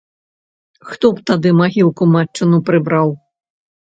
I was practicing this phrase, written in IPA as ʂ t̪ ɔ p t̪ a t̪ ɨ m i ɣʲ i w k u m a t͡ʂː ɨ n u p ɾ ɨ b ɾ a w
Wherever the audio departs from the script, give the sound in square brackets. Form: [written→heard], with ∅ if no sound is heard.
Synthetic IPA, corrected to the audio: [ʂ→x] t̪ ɔ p t̪ a [t̪→d̪] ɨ m [i→a] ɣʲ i w k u m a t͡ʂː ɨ n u p ɾ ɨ b ɾ a w